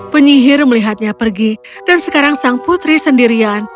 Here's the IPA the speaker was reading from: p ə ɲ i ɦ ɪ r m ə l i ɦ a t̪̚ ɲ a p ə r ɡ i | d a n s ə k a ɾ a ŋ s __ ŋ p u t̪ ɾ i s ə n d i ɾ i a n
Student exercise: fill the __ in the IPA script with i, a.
a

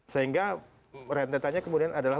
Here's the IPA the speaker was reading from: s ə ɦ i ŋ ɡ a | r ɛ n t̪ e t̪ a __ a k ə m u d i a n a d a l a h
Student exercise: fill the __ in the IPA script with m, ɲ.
ɲ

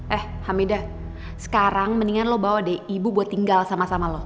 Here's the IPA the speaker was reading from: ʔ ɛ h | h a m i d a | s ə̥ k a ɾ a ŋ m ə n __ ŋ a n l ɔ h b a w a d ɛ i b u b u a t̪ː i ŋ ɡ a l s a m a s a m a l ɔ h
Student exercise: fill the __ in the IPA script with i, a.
i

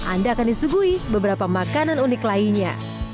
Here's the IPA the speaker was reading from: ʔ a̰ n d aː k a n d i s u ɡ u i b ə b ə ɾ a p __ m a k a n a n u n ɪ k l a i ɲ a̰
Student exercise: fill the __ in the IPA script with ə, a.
a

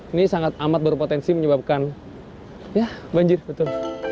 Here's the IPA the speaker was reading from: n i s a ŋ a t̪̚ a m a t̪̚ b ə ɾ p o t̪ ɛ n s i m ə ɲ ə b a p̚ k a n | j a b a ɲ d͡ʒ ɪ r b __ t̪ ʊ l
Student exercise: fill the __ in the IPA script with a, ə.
ə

